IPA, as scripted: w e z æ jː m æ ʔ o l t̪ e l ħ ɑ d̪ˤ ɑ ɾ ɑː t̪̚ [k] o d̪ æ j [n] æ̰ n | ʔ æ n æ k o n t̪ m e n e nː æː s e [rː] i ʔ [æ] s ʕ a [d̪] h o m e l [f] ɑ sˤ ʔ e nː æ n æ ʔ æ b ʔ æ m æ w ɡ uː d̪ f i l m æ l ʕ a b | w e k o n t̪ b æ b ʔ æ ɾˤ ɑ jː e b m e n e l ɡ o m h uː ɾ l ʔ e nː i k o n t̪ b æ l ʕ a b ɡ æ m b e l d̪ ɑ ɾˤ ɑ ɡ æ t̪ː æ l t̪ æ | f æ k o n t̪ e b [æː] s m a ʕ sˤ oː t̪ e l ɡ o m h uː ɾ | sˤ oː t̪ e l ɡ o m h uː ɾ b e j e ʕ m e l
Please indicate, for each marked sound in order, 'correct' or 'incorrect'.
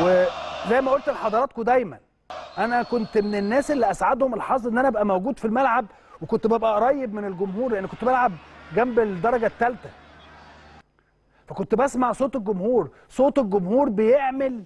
correct, incorrect: m, incorrect: lː, correct, correct, incorrect: ħ, incorrect: æ

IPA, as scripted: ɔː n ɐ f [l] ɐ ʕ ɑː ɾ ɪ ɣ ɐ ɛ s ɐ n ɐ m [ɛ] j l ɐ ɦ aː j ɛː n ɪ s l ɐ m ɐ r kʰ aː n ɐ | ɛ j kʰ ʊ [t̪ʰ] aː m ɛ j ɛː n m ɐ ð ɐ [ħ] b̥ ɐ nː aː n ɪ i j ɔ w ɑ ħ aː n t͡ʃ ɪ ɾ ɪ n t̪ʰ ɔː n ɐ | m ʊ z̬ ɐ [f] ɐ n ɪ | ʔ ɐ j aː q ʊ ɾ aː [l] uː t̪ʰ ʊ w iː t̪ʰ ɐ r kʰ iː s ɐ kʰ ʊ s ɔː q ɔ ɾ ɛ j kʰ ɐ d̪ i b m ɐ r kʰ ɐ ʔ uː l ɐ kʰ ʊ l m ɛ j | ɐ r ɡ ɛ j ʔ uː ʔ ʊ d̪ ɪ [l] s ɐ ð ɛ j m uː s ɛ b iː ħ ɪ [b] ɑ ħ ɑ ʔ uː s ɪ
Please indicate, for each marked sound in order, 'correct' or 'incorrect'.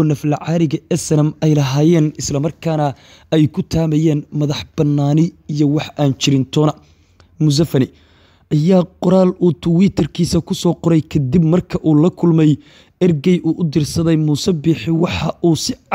correct, correct, correct, correct, correct, correct, incorrect: r, incorrect: w

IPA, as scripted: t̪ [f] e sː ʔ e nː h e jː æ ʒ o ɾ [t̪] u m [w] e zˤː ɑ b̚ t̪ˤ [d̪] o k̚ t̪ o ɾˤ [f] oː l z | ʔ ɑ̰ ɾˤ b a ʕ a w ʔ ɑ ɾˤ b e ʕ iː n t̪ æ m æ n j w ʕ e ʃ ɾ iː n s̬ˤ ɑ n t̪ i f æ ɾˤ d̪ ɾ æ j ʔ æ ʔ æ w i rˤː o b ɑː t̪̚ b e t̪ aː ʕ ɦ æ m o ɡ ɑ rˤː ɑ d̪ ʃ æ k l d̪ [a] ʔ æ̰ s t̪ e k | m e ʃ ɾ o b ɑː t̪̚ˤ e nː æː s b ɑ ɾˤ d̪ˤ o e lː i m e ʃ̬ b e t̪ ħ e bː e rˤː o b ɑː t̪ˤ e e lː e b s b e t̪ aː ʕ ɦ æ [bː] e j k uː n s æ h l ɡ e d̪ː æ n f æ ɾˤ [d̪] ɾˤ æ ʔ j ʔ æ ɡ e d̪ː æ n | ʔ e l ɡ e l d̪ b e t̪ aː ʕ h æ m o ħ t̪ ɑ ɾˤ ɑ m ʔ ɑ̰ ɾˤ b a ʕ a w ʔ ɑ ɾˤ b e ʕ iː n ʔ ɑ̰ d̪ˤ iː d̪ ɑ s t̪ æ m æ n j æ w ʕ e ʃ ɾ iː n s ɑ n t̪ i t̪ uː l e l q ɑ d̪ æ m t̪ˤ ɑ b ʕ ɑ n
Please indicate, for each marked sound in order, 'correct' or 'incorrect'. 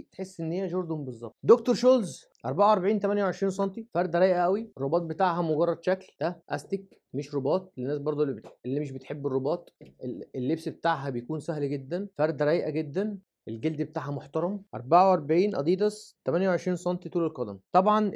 incorrect: ħ, incorrect: d̪, incorrect: b, correct, incorrect: ʃ, incorrect: æ, incorrect: b, correct

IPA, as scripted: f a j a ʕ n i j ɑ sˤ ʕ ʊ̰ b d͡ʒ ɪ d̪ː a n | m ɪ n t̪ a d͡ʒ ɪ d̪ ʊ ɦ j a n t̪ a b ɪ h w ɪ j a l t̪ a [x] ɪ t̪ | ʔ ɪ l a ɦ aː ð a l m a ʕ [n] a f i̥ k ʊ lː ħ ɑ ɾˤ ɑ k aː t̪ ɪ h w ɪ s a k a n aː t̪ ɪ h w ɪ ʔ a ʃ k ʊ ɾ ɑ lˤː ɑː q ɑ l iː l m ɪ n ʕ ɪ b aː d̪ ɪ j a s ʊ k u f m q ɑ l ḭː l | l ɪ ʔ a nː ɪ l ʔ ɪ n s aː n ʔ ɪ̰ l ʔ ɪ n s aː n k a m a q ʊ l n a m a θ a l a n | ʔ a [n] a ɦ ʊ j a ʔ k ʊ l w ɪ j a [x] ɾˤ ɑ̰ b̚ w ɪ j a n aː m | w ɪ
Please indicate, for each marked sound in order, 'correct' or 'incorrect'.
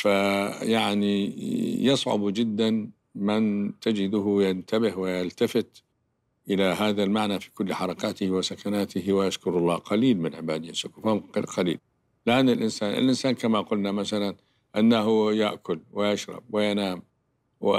incorrect: f, correct, incorrect: nː, incorrect: ʃ

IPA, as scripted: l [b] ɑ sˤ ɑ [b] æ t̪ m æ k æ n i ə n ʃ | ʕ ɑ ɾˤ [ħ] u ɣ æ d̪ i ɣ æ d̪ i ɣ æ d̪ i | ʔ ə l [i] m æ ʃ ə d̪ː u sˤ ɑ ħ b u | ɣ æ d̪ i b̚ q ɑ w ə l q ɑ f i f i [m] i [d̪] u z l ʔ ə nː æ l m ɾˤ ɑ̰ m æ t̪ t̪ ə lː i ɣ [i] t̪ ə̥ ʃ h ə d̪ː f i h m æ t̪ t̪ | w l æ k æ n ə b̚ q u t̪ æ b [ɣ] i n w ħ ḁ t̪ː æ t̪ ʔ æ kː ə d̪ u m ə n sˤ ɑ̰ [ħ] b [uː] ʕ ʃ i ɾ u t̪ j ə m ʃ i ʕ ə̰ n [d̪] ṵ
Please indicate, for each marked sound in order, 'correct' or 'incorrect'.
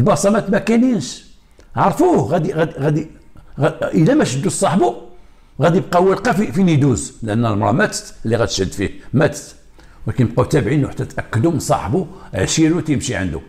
correct, incorrect: m, incorrect: f, incorrect: æ, incorrect: n, correct, incorrect: æ, incorrect: ʕ, correct, incorrect: u, correct

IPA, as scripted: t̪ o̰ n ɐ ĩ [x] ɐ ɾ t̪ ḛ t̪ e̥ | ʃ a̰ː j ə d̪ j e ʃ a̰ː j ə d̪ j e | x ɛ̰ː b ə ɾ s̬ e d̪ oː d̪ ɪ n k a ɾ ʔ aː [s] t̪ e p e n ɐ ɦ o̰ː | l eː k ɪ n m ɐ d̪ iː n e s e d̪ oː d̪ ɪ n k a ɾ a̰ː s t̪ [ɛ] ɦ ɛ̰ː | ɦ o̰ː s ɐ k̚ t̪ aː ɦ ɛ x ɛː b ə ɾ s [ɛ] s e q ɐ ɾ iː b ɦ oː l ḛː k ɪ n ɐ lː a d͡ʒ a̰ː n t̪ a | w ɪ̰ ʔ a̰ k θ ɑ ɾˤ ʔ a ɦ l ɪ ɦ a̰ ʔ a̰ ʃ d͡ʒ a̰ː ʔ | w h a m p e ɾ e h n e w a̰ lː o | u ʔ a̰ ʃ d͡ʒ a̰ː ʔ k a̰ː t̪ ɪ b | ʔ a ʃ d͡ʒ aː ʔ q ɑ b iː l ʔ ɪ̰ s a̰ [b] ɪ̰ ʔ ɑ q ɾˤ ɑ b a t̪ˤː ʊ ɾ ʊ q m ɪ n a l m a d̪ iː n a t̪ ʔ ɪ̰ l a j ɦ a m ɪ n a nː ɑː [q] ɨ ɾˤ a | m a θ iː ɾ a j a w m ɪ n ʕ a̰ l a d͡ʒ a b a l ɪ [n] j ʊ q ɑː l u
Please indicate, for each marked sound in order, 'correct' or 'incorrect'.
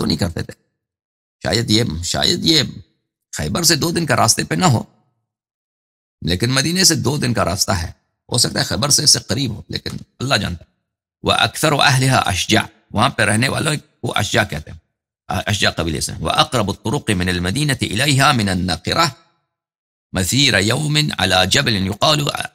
incorrect: k, correct, incorrect: a, incorrect: e, incorrect: w, correct, correct

